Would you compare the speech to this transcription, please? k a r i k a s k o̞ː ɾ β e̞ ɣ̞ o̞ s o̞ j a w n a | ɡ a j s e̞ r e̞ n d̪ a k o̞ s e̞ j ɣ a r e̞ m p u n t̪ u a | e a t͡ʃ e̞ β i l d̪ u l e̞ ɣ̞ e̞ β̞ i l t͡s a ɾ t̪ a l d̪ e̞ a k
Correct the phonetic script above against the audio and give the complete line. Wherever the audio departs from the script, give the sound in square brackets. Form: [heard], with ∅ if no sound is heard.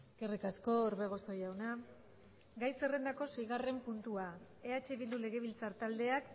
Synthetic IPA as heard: k [e] r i k a s k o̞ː ɾ β e̞ ɣ̞ o̞ s o̞ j a w n a | ɡ a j s e̞ r e̞ n d̪ a k o̞ s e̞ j ɣ a r e̞ m p u n t̪ u a | e a t͡ʃ e̞ β i l d̪ u l e̞ ɣ̞ e̞ β̞ i l t͡s a ɾ t̪ a l d̪ e̞ a k